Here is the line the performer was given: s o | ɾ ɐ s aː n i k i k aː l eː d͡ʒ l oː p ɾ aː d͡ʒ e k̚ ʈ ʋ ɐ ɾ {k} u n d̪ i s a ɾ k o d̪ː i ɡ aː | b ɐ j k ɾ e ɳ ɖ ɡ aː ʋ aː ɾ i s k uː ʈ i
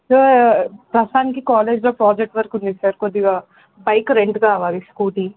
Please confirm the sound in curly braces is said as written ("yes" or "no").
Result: yes